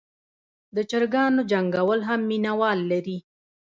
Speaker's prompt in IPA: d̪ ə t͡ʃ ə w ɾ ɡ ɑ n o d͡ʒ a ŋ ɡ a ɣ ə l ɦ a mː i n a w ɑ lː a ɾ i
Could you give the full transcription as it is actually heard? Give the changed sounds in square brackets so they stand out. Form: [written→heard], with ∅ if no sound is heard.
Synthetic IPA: d̪ ə t͡ʃ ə [w→∅] ɾ ɡ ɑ n o d͡ʒ a ŋ ɡ a [ɣ→w] ə l ɦ a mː i n a w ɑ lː a ɾ i